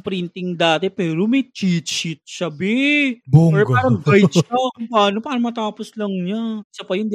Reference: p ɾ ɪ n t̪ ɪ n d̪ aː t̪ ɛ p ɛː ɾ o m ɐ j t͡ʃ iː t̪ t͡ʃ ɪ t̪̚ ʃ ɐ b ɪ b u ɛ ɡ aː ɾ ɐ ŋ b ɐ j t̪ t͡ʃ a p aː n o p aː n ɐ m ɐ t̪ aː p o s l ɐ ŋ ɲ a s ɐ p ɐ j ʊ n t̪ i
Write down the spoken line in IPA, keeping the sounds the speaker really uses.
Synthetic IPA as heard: p ɾ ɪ n t̪ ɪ ŋ d̪ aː t̪ ɛ p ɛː ɾ o m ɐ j t͡ʃ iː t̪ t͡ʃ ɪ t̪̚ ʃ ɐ b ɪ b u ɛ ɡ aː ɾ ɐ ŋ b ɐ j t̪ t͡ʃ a p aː n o p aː n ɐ m ɐ t̪ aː p o s l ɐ ŋ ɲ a s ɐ p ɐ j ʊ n d̪ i